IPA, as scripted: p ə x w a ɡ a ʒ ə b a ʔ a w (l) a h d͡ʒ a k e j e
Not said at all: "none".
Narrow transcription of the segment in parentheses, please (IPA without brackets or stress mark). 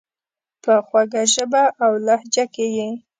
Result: l